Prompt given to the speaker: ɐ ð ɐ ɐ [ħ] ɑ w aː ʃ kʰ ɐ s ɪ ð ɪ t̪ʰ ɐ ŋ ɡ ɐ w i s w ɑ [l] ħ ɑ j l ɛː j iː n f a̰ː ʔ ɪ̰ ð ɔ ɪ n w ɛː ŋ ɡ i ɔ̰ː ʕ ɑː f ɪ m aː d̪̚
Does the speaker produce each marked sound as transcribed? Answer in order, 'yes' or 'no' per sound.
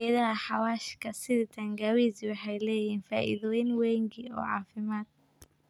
yes, no

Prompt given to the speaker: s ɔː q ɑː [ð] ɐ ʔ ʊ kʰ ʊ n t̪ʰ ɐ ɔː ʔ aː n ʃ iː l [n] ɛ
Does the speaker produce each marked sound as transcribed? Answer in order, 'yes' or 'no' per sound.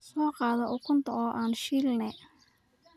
yes, yes

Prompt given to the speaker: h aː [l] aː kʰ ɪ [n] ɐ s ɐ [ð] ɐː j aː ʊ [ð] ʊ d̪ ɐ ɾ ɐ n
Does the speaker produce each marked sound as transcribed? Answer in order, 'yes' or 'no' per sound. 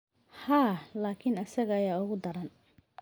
yes, yes, no, no

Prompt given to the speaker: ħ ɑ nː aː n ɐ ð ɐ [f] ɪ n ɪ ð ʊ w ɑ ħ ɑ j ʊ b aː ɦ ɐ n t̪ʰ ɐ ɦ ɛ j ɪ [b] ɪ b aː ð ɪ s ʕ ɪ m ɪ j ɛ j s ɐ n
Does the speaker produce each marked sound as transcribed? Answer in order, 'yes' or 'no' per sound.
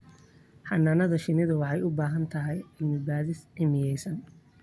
no, no

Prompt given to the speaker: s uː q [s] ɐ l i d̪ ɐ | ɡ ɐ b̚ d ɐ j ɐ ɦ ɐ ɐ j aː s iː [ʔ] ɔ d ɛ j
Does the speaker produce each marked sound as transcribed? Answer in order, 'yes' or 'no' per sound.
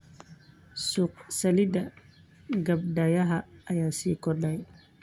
yes, no

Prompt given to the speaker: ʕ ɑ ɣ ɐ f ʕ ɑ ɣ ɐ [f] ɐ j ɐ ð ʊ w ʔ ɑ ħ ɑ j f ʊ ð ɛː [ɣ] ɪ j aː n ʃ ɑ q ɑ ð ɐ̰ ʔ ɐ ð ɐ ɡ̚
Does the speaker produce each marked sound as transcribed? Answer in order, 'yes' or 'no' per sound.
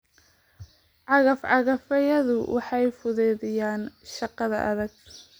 yes, no

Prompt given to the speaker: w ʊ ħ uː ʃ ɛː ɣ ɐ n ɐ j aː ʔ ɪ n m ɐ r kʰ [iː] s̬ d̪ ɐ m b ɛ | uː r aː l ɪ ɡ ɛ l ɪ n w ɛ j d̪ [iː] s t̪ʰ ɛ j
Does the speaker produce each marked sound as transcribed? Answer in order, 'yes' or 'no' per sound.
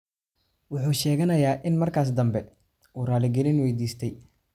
no, yes

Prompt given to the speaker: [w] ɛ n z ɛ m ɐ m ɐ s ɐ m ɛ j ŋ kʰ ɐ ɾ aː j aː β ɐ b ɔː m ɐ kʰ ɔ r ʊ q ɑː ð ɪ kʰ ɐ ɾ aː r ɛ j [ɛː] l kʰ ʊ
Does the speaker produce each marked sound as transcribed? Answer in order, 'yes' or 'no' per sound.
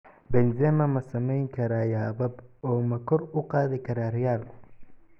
no, no

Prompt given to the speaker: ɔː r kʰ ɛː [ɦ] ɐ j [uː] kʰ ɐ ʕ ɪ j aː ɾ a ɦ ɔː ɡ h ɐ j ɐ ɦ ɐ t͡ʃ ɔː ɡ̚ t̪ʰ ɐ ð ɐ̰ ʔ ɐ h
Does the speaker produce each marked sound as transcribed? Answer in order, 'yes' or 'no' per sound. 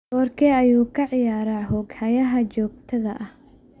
no, yes

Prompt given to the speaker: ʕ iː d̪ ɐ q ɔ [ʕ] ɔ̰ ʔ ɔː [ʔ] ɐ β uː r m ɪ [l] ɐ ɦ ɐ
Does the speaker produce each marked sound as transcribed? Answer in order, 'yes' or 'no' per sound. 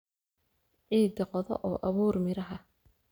no, yes, no

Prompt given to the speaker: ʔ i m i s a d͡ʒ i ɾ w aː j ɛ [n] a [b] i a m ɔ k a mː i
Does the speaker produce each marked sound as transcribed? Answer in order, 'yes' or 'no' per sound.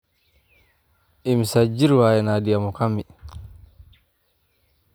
yes, no

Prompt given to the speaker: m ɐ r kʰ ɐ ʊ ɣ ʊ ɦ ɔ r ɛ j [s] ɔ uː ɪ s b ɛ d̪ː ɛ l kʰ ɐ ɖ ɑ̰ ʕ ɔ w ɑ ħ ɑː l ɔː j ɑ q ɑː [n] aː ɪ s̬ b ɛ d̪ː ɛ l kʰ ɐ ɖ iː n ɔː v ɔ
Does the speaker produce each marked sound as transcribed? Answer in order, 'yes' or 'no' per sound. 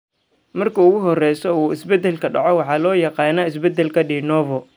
yes, yes

